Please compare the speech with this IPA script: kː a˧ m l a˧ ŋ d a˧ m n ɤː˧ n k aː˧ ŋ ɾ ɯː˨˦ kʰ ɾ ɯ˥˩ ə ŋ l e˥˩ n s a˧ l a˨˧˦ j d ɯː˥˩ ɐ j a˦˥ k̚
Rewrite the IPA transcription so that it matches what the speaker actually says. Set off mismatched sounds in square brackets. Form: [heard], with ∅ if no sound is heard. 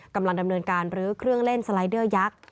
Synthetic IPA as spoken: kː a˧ m l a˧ ŋ d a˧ m n ɤː˧ n k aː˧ [n] ɾ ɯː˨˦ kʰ ɾ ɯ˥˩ ə ŋ l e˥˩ n s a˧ l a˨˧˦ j d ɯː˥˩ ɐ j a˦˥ k̚